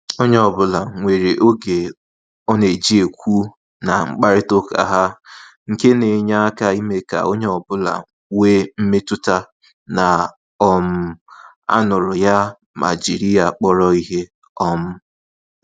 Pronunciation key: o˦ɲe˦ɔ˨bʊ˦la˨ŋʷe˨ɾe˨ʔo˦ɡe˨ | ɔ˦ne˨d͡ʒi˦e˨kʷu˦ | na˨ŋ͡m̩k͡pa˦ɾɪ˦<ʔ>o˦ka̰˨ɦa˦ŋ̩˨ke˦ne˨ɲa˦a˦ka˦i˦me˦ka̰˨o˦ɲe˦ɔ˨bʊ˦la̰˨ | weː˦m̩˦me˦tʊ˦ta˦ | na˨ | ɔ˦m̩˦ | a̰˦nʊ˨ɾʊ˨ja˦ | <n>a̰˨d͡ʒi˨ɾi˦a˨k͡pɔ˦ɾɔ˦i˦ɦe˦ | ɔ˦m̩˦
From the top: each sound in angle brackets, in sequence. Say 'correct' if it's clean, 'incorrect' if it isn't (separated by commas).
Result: incorrect, incorrect